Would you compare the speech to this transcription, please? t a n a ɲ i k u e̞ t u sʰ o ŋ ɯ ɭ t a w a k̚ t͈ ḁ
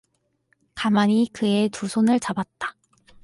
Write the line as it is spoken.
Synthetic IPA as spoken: k a m a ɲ i k ɯ e̞ t u sʰ o n ɯ ɭ t͡ɕ a b a t̚ t͈ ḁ